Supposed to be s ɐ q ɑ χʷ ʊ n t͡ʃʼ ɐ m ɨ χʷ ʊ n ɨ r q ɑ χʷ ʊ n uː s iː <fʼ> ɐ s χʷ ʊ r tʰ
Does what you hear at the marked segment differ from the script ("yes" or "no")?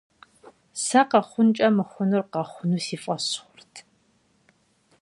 no